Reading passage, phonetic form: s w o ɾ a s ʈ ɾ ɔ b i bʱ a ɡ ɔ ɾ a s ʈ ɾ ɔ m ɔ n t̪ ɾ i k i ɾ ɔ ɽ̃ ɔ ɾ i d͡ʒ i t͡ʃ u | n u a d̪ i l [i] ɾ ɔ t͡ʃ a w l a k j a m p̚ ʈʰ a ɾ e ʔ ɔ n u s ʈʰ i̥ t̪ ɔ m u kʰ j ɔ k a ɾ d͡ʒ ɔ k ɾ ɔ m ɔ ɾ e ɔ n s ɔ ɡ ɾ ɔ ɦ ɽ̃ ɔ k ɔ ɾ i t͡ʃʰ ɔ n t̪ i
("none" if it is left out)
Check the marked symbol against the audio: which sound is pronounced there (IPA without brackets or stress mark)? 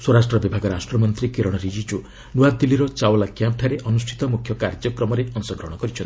i